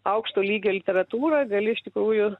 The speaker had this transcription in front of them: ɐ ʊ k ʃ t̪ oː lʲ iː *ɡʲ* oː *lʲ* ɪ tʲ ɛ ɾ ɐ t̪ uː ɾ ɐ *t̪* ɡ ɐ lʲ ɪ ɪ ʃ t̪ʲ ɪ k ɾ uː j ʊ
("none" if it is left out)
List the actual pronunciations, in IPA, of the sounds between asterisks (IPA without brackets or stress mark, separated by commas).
ɡʲ, lʲ, none